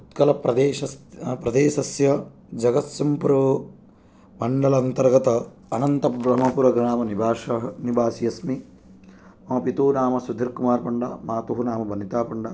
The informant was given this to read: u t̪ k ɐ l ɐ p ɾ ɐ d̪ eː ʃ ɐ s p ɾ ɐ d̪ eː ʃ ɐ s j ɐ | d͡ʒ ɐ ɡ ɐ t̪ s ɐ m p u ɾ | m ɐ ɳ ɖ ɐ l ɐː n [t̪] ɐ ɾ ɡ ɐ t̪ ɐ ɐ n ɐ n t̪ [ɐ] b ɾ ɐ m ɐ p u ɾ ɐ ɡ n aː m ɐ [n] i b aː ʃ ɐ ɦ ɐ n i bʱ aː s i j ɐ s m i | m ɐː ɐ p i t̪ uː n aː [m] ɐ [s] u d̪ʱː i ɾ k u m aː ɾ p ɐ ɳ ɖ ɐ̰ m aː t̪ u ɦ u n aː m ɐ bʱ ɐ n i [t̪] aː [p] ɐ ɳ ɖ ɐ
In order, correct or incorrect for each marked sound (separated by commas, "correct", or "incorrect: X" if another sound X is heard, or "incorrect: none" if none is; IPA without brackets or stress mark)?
correct, correct, correct, correct, correct, correct, correct